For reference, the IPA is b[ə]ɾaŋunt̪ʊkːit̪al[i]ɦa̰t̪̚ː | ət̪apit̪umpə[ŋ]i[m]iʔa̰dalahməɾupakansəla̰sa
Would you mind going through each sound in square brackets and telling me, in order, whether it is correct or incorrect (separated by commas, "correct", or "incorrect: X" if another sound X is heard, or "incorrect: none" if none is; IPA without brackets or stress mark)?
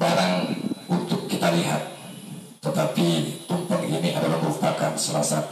incorrect: a, correct, correct, incorrect: n